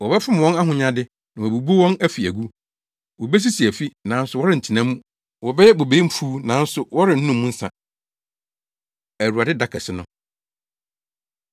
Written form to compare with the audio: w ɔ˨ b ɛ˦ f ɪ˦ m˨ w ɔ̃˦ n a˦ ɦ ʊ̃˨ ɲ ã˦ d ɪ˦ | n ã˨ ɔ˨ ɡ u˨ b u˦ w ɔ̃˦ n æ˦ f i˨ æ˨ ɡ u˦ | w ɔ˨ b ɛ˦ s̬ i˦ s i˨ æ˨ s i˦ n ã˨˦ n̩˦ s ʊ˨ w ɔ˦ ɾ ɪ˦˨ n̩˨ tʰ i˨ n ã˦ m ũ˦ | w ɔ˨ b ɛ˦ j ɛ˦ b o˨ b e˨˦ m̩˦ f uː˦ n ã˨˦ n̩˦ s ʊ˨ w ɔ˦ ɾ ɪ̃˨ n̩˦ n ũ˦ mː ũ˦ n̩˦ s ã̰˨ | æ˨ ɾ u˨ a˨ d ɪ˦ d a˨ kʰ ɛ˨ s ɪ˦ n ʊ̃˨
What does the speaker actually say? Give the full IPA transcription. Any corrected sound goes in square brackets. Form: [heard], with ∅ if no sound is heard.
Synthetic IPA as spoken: w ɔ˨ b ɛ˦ f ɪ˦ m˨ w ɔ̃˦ n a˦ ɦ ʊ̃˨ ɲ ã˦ d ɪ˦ | n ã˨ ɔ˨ [b] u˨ b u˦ w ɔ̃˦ n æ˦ f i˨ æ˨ ɡ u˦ | w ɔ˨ b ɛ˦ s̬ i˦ s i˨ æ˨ [f] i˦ n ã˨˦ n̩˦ s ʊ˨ w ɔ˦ ɾ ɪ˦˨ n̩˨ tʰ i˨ n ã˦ m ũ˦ | w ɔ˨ b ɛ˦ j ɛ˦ b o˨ b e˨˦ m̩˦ f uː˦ n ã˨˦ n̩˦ s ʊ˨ w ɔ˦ ɾ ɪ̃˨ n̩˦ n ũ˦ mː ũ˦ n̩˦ s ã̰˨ | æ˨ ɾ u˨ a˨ d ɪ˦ d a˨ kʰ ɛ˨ s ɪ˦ n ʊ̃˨